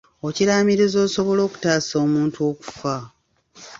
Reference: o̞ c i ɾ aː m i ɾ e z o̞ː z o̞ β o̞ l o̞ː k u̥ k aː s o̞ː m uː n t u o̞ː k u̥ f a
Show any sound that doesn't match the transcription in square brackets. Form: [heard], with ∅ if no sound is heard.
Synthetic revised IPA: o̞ c i ɾ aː m i ɾ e z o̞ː [s] o̞ β o̞ l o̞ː k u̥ [t] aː s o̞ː m uː n t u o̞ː k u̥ f a